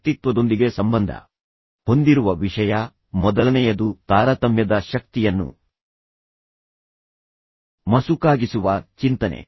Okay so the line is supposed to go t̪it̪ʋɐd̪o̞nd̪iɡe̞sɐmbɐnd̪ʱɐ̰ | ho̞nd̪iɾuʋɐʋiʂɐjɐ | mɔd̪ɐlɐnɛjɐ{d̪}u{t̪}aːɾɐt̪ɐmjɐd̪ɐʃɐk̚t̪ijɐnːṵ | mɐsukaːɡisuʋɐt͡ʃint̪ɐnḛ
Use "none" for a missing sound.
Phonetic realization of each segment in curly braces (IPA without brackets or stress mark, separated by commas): d̪, t̪